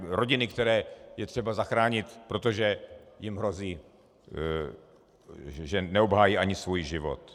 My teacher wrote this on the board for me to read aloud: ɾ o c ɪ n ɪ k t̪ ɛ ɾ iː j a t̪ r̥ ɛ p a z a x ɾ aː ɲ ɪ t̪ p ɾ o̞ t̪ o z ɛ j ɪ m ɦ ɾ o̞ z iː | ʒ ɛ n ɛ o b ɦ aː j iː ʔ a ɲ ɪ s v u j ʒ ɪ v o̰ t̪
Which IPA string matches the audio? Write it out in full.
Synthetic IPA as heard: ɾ o ɟ ɪ n ɪ k t̪ ɛ ɾ ɛː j ɛ t̪ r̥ ɛ b a z a x ɾ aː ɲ ɪ t̪ p ɾ o̞ t̪ o ʒ ɛ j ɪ m ɦ ɾ o̞ z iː | ʒ ɛ n ɛ o b ɦ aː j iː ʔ a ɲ ɪ s v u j ʒ ɪ v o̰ t̪